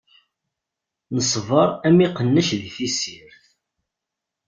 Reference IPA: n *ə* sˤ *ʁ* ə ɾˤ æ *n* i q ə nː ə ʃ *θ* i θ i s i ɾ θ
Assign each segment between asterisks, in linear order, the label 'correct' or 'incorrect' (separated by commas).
correct, incorrect, incorrect, incorrect